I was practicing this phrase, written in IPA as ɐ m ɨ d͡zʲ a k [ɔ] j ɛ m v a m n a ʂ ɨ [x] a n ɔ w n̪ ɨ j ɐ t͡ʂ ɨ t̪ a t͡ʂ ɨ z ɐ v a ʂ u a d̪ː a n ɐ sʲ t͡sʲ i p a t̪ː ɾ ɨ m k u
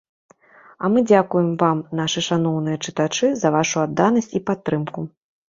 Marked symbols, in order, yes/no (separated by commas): no, no